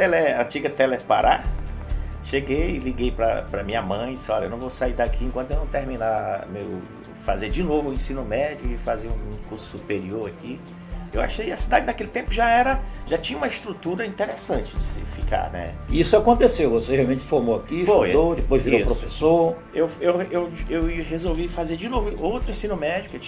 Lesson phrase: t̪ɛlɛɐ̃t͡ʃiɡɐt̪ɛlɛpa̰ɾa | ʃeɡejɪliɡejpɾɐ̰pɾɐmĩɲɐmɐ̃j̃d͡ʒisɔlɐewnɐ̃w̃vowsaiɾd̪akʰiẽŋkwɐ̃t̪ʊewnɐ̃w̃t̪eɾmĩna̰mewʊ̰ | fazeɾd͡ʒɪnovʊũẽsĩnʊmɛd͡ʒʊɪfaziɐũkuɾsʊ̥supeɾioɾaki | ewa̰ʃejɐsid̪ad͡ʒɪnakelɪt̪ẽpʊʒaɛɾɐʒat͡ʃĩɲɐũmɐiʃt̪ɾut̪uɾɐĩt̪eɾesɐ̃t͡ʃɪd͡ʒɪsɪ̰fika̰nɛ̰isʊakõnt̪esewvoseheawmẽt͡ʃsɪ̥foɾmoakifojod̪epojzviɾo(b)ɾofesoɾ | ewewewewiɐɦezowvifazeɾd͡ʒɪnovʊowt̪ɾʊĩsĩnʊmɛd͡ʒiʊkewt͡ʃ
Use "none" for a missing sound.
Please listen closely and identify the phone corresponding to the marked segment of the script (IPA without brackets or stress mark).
p